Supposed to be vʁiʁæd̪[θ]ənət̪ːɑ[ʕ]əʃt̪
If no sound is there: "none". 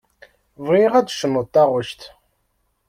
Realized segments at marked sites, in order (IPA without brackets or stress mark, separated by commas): ʃ, ʁ